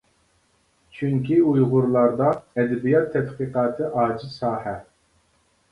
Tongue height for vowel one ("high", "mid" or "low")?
high